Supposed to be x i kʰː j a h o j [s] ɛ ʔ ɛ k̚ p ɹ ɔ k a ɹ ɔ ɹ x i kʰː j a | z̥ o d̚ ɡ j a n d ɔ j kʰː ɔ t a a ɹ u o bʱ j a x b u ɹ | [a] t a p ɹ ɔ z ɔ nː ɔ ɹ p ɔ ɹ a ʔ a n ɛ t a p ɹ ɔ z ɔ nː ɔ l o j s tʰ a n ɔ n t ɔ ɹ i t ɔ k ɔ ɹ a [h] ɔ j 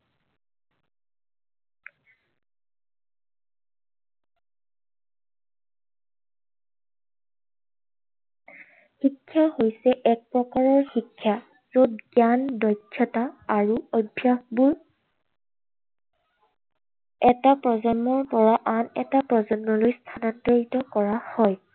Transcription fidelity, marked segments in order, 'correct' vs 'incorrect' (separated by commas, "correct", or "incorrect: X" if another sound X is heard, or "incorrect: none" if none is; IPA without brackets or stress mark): correct, incorrect: ɛ, correct